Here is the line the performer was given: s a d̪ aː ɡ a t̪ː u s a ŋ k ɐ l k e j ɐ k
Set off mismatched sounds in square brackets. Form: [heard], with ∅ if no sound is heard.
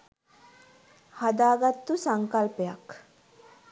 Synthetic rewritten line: [h] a d̪ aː ɡ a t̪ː u s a ŋ k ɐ l [p] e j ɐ k